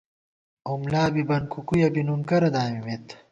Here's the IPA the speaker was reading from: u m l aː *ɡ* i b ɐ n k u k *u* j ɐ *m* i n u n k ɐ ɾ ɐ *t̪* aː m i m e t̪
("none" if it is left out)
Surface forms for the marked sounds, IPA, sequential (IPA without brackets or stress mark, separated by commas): b, u, b, d̪